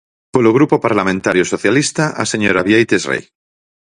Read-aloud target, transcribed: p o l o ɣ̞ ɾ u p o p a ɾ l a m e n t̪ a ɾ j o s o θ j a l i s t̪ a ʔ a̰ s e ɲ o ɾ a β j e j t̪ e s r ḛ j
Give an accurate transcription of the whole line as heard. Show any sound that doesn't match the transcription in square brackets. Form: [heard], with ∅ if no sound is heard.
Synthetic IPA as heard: p o l o ɣ̞ ɾ u p o p a ɾ l a m [ẽ] n t̪ a ɾ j o s o θ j a l i s t̪ a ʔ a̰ s e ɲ o ɾ a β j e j t̪ e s r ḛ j